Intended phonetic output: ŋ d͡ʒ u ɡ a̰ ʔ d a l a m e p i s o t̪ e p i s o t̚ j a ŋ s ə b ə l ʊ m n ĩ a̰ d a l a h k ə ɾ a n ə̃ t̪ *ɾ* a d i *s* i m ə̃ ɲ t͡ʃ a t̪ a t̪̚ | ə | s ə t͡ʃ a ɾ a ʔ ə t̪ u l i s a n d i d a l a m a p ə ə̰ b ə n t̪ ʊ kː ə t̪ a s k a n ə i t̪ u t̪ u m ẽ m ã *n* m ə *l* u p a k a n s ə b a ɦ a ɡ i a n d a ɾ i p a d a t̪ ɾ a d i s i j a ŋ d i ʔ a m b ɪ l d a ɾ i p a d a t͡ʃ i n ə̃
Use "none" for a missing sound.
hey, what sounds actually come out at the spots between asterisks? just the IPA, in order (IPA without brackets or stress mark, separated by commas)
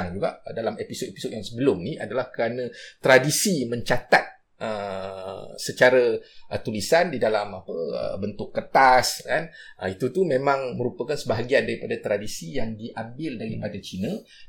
ɾ, s, ŋ, ɾ